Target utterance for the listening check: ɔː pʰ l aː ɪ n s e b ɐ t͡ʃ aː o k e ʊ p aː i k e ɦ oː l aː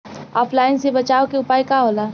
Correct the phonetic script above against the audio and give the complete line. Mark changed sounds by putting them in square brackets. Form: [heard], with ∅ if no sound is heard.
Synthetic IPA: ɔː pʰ l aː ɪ n s e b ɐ t͡ʃ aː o k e ʊ p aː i k [a] ɦ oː l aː